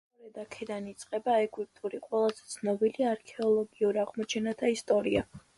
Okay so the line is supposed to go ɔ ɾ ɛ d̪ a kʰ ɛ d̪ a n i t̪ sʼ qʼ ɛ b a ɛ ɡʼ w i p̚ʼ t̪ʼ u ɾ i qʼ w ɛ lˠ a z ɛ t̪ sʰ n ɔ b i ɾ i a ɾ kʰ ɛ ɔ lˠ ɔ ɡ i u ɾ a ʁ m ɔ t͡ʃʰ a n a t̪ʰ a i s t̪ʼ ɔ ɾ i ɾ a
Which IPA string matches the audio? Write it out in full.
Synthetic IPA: ɔ ɾ ɛ d̪ a kʰ ɛ d̪ a n i t̪ sʼ qʼ ɛ b a ɛ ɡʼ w i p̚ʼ t̪ʼ u ɾ i qʼ w ɛ lˠ a z ɛ t̪ sʰ n ɔ b i l i a ɾ kʰ ɛ ɔ lˠ ɔ ɡ i u ɾ a ʁ m ɔ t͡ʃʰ ɛ n a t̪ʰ a i s t̪ʼ ɔ ɾ i a